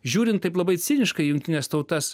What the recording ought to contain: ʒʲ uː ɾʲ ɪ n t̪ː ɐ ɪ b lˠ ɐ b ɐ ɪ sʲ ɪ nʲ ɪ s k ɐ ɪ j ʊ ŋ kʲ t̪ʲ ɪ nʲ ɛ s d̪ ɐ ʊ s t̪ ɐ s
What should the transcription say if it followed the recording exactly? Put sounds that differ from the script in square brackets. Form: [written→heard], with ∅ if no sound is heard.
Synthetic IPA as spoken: ʒʲ uː ɾʲ ɪ n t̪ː ɐ ɪ [b→p] lˠ ɐ b ɐ ɪ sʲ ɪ nʲ ɪ [s→ʃ] k ɐ ɪ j ʊ ŋ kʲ t̪ʲ ɪ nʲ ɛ s [d̪→t̪] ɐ ʊ [s→∅] t̪ ɐ s